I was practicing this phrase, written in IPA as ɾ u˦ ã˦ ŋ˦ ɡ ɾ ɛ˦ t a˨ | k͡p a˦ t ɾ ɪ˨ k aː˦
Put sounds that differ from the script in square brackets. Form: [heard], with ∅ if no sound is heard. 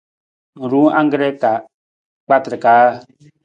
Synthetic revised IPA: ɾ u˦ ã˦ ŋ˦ ɡ ɾ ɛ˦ [k] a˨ | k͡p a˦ t ɾ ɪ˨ k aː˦